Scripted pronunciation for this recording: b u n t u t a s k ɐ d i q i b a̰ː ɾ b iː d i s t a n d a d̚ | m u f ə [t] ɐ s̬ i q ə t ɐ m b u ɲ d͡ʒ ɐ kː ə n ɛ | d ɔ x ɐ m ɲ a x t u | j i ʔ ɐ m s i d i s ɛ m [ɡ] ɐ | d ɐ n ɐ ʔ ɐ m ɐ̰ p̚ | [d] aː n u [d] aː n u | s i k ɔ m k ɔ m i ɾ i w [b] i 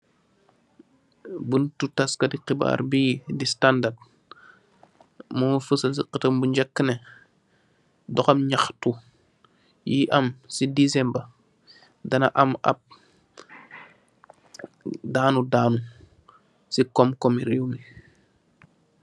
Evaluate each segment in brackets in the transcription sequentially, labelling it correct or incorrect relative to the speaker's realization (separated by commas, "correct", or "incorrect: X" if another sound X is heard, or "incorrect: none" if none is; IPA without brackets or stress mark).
incorrect: s, incorrect: b, correct, correct, incorrect: m